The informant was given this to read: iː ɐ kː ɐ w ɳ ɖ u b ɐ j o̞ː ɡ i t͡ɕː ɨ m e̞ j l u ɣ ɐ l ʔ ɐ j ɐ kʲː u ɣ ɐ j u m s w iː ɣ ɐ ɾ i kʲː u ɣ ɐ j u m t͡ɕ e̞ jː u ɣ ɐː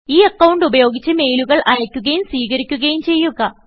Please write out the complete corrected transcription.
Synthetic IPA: iː ɐ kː ɐ w ɳ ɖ u b ɐ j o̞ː ɡ i t͡ɕː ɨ m e̞ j l u ɣ ɐ ɭ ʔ ɐ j ɐ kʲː u ɣ ɐ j u m s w iː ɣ ɐ ɾ i kʲː u ɣ ɐ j u m t͡ɕ e̞ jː u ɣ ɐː